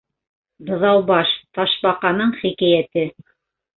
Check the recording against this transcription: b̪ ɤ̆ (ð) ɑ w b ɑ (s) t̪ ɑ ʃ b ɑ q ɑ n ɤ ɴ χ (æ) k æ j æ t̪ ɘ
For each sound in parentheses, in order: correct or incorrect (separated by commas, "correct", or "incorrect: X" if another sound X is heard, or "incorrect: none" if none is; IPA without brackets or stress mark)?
correct, incorrect: ʃ, incorrect: i